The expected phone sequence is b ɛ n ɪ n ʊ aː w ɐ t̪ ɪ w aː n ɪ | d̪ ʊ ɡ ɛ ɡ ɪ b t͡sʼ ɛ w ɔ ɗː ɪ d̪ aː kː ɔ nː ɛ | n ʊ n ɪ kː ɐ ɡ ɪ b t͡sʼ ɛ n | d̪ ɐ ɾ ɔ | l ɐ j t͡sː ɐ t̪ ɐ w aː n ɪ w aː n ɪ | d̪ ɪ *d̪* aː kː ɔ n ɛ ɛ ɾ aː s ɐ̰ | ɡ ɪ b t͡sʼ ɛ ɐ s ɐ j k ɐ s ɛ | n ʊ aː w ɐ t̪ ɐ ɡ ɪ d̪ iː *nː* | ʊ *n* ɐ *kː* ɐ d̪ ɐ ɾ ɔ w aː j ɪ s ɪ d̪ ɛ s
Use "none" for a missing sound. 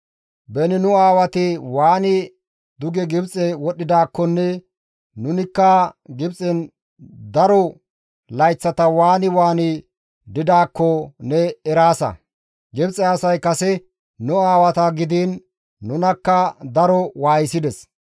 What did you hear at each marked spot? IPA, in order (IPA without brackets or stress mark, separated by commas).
d̪, nː, n, kː